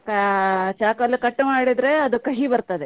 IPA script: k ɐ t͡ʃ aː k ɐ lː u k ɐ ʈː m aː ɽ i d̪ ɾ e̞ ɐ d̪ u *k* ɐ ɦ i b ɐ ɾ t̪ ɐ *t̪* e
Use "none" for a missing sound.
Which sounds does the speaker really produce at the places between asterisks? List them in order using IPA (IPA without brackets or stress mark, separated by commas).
k, d̪